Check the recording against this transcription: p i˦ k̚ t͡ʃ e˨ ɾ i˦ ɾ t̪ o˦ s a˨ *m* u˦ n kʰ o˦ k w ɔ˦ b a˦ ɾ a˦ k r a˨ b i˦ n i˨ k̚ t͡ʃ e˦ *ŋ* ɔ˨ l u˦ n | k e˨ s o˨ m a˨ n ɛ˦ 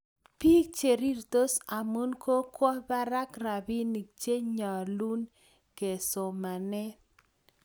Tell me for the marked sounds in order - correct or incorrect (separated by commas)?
correct, incorrect